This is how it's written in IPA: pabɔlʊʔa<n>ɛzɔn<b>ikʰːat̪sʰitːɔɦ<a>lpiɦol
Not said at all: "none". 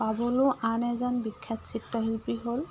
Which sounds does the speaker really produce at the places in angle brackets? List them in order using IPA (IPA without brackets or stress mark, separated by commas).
n, b, i